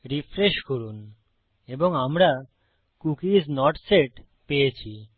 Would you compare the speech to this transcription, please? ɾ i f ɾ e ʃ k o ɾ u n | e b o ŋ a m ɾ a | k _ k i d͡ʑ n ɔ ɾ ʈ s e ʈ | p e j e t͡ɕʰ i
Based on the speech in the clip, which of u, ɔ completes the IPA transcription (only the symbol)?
u